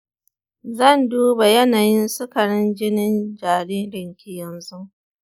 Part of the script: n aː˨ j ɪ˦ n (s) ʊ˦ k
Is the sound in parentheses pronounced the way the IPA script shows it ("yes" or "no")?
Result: yes